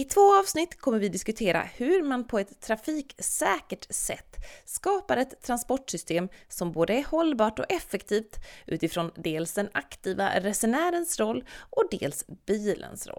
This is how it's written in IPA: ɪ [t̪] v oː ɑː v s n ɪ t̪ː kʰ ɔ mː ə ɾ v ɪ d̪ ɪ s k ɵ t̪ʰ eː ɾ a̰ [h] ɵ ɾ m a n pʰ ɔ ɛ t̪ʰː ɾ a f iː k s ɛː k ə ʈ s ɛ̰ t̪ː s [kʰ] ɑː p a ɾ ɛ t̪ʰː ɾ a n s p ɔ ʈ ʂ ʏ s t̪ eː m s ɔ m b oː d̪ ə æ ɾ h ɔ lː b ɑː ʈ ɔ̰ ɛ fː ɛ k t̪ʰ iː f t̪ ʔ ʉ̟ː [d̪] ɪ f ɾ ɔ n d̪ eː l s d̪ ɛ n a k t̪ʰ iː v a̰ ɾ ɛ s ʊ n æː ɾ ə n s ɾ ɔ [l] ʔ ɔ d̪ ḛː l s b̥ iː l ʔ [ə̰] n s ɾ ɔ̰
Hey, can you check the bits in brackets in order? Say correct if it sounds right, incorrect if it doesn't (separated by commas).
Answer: incorrect, correct, incorrect, incorrect, incorrect, correct